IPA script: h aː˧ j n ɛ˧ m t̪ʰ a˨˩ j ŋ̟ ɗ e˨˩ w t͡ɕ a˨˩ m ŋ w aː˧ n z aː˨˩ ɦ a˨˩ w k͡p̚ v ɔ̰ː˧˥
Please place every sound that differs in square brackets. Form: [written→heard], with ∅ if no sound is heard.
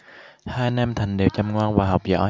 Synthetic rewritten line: h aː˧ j n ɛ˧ m t̪ʰ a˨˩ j ŋ̟ ɗ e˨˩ w t͡ɕ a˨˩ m ŋ w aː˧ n [z→v] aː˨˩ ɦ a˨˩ w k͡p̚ [v→z] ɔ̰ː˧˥